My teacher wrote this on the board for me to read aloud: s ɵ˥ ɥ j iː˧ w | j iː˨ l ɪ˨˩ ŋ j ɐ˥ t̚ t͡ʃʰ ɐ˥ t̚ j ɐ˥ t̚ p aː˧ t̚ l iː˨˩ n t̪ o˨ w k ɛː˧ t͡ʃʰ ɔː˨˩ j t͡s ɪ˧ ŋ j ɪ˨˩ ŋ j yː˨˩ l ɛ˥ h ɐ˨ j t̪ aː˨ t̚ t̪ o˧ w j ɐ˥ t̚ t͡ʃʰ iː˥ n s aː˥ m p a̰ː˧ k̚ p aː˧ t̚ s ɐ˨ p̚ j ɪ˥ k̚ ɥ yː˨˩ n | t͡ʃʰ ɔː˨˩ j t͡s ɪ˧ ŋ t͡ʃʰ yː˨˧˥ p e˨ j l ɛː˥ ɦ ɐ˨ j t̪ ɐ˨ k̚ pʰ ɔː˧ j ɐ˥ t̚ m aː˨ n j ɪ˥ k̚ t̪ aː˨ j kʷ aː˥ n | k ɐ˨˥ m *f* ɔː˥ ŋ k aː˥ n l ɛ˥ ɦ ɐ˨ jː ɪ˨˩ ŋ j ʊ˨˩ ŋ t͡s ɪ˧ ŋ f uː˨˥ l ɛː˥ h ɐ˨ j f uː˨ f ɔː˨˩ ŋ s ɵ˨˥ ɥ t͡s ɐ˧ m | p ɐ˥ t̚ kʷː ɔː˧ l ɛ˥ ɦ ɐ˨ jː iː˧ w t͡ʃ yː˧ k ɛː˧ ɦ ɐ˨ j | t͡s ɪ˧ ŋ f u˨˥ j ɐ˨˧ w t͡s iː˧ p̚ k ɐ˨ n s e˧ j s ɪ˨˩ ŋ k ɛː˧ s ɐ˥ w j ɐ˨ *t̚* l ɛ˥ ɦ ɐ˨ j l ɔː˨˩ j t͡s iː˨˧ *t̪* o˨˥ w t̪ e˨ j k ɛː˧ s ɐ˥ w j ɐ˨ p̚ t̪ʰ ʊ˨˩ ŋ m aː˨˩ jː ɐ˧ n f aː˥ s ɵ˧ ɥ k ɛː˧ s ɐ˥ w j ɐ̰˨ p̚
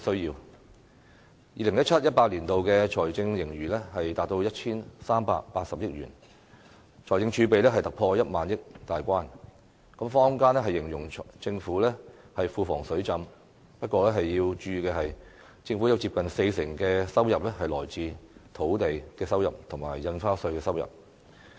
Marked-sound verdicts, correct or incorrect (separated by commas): correct, incorrect, incorrect